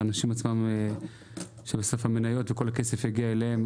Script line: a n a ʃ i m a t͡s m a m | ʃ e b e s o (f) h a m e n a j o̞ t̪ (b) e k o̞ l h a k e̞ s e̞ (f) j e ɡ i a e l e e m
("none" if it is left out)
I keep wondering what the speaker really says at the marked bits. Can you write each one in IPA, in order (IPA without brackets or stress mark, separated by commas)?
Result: f, v, f